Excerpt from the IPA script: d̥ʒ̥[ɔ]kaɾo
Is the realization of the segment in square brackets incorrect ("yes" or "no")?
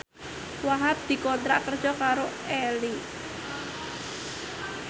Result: no